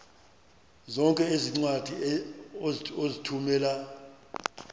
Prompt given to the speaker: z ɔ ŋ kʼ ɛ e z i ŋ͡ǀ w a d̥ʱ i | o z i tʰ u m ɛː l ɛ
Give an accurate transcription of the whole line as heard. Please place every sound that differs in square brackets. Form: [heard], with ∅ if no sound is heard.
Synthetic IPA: z ɔ ŋ kʼ ɛ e z i ŋ͡ǀ w a d̥ʱ i | o z i tʰ u m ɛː l [a]